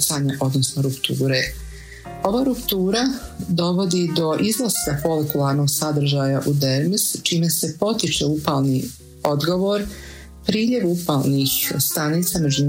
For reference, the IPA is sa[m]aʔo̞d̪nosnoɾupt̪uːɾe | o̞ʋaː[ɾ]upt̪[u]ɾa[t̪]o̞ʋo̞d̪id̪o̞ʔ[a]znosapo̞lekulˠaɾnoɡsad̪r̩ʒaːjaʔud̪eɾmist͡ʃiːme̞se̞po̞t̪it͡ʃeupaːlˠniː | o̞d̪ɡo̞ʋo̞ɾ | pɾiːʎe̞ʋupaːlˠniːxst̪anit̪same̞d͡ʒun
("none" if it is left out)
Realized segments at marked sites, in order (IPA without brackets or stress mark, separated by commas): ɲ, ɾ, uː, d̪, i